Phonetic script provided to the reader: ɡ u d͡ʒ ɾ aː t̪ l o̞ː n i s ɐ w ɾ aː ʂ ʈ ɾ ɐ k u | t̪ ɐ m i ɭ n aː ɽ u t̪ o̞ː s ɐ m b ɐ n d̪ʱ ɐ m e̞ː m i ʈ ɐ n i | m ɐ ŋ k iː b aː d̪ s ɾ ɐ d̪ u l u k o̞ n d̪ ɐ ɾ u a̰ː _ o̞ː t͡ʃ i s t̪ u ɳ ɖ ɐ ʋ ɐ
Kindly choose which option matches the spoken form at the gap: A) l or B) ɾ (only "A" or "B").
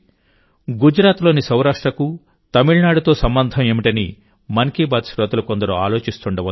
A